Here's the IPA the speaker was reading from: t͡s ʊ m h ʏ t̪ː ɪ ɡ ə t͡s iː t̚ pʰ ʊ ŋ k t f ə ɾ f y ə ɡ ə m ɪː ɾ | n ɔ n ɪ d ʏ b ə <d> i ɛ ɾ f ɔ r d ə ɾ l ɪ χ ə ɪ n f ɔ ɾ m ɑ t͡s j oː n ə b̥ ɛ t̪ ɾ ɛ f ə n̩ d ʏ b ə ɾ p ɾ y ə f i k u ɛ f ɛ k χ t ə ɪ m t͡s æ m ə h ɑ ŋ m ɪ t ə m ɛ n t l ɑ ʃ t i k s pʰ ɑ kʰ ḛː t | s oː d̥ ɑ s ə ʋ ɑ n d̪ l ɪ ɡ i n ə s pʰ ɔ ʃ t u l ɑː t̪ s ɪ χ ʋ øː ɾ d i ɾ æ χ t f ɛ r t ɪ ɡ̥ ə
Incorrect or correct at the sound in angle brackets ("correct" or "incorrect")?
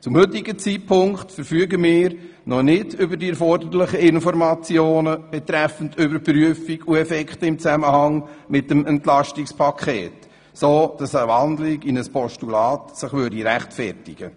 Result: correct